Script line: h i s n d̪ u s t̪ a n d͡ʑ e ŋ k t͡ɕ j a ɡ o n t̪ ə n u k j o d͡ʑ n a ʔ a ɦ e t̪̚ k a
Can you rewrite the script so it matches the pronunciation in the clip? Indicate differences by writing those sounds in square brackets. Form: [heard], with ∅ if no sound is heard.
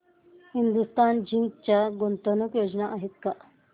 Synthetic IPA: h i [∅] n d̪ u s t̪ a n d͡ʑ [i] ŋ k t͡ɕ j a ɡ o n t̪ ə n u k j o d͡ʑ n a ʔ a ɦ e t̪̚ k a